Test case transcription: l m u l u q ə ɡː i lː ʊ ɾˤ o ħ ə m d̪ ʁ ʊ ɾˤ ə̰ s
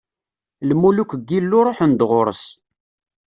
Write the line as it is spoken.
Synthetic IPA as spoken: l m u l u k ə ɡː i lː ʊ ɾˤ o ħ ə n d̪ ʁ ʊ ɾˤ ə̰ s